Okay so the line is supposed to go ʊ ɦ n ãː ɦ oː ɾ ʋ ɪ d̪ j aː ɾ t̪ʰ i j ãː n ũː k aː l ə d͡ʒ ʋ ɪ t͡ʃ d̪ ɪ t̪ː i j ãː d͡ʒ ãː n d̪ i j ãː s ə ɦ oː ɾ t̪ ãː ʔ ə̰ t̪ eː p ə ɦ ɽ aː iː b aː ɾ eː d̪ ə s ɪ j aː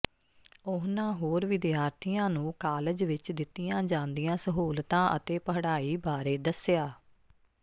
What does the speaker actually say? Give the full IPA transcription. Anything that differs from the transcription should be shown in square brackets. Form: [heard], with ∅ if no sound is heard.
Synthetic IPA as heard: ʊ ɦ n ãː ɦ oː ɾ ʋ ɪ d̪ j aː ɾ t̪ʰ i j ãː n ũː k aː l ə d͡ʒ ʋ ɪ t͡ʃ d̪ ɪ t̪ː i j ãː d͡ʒ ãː n d̪ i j ãː s ə ɦ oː [l] t̪ ãː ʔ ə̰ t̪ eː p ə ɦ ɽ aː iː b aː ɾ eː d̪ ə s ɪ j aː